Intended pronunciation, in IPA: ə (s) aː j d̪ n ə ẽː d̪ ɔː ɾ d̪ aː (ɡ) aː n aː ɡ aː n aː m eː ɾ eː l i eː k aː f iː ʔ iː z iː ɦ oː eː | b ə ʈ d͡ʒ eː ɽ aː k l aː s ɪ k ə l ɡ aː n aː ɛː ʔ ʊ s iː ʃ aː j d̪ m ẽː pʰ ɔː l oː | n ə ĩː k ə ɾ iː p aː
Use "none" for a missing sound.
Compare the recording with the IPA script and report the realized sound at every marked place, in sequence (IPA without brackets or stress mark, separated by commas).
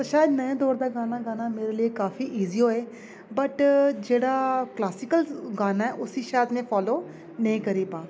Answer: ʃ, ɡ